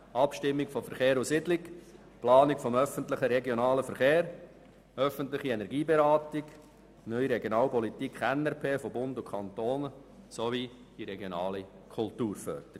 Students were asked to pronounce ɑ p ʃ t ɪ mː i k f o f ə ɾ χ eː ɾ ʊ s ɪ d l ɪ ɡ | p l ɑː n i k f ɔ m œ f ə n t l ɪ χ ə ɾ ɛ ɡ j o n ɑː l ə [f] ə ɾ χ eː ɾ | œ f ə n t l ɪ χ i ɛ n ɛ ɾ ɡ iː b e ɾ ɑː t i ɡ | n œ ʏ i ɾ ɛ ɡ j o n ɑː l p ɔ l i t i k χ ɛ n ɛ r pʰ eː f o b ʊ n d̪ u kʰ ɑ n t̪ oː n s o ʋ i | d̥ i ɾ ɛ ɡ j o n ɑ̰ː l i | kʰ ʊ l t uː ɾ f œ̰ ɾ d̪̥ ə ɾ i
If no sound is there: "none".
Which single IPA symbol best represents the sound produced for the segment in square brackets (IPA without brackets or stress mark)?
f